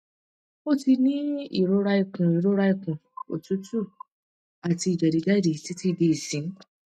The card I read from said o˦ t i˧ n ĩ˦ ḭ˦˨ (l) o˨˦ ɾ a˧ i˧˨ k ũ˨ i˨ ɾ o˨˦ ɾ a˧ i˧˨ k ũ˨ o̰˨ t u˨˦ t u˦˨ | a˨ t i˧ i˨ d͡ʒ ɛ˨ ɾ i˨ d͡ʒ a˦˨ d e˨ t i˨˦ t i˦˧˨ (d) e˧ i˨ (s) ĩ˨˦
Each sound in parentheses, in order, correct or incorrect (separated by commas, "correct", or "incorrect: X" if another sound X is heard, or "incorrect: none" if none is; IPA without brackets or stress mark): incorrect: ɾ, correct, correct